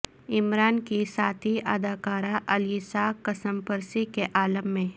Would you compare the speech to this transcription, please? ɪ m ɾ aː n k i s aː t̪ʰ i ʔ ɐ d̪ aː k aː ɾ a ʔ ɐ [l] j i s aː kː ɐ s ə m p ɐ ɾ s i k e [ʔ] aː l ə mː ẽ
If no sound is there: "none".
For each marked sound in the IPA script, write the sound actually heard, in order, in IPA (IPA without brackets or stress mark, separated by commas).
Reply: l, ʔ